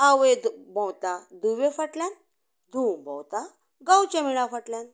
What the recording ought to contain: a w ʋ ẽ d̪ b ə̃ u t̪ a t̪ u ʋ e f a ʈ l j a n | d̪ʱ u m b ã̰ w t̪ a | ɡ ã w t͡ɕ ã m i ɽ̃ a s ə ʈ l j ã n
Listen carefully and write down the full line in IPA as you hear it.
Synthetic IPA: a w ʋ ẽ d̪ b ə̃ w t̪ a d̪ u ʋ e f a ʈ l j a n | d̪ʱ u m b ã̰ w t̪ a | ɡ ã w t͡ɕ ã m i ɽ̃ a f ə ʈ l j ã n